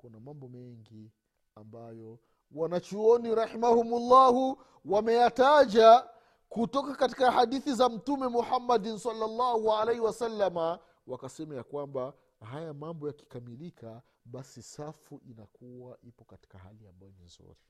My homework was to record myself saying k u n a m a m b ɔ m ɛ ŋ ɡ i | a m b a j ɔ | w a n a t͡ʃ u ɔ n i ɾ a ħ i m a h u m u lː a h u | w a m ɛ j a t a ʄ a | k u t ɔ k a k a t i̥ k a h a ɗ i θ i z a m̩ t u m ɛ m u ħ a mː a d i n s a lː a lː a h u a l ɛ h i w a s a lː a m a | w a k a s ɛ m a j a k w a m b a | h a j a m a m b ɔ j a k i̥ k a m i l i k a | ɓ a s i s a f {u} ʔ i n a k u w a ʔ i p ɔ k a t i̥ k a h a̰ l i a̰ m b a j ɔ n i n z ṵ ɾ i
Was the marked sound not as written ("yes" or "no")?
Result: no